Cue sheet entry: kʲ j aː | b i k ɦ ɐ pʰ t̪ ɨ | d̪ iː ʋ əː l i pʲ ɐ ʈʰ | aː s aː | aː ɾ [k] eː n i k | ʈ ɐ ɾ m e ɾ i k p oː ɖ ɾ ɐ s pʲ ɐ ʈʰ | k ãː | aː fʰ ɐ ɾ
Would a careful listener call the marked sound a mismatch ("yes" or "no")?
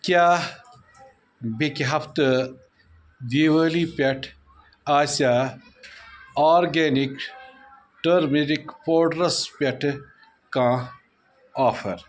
yes